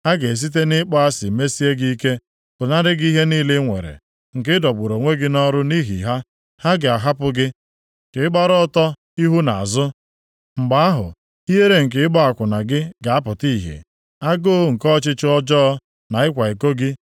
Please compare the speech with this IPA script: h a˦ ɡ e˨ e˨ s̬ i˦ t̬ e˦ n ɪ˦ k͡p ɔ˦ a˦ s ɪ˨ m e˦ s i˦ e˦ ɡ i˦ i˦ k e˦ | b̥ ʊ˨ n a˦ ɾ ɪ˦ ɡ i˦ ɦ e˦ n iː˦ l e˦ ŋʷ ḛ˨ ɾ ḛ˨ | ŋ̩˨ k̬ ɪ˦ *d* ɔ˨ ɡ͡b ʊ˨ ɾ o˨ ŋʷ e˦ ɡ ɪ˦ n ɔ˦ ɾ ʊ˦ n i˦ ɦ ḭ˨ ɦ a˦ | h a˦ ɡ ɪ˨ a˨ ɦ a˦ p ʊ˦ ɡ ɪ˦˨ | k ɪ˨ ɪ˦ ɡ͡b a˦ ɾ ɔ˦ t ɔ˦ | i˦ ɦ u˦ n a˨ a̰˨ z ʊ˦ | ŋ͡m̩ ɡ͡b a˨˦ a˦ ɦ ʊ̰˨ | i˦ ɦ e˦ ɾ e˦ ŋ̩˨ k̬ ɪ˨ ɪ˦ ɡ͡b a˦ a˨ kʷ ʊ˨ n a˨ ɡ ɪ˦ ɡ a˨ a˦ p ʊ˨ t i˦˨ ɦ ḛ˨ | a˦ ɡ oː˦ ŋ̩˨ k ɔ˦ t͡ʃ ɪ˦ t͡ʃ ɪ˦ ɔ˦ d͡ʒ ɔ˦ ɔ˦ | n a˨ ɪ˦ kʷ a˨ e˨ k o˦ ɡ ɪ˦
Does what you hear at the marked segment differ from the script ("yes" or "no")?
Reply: no